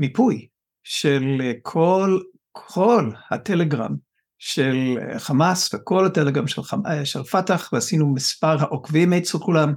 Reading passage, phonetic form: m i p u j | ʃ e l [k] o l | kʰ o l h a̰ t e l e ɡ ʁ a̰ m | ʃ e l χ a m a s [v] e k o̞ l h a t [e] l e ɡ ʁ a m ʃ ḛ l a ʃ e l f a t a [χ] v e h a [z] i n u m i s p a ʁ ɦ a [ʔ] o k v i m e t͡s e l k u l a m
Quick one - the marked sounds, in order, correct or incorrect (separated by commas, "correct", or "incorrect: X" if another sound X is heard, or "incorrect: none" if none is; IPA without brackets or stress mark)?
incorrect: kʰ, correct, correct, correct, incorrect: s, correct